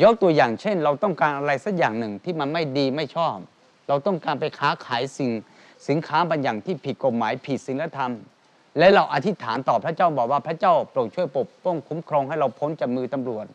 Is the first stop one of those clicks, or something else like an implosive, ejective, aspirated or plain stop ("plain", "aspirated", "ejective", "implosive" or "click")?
plain